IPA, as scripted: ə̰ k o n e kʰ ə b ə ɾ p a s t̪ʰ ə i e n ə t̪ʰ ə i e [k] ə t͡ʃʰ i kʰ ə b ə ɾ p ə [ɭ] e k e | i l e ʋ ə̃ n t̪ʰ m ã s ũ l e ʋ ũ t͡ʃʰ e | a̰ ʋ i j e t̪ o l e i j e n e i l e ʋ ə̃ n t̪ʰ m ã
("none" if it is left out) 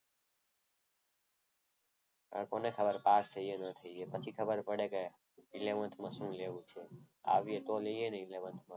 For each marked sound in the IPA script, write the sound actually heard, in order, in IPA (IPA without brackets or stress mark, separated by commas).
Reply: p, ɽ